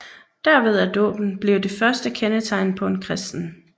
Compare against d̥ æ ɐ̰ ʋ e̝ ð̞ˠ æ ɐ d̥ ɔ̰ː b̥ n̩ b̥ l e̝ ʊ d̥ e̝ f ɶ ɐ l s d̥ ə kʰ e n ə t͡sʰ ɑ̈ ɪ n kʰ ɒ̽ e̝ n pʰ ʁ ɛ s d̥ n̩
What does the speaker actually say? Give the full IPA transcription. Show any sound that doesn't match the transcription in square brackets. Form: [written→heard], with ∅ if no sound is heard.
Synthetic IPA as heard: d̥ æ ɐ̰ ʋ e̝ ð̞ˠ æ ɐ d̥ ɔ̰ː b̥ n̩ b̥ l e̝ ʊ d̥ e̝ f ɶ ɐ [l→∅] s d̥ ə kʰ e n ə t͡sʰ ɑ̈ ɪ n [kʰ→pʰ] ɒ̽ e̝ n [pʰ→kʰ] ʁ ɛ s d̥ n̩